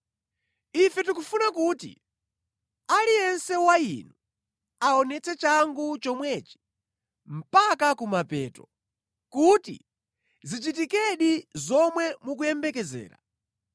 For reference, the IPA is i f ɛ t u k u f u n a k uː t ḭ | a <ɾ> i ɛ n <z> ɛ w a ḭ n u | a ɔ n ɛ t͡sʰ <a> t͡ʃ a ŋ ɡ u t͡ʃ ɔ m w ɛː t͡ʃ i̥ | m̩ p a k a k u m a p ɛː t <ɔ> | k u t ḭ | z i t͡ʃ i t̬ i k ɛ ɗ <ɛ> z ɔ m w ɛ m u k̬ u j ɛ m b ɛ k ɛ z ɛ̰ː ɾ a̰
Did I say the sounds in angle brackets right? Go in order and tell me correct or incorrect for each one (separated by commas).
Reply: incorrect, incorrect, incorrect, correct, incorrect